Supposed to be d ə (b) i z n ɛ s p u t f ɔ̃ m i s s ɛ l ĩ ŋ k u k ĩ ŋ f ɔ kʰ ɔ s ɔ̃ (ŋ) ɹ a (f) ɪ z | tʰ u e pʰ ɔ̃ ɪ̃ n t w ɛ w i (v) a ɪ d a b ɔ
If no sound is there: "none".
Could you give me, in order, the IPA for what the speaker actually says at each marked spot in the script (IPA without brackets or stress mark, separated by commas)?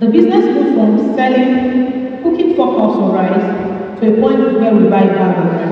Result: b, none, none, b